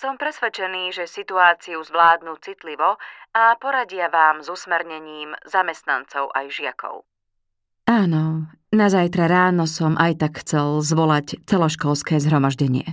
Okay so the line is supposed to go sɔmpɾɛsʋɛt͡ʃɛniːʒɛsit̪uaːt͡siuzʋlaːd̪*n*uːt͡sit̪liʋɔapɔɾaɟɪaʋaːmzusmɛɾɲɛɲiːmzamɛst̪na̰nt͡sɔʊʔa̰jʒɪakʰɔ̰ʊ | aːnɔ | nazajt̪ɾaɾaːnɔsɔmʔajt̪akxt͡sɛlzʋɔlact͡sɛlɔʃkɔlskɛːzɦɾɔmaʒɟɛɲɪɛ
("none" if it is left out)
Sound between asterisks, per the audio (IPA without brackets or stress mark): n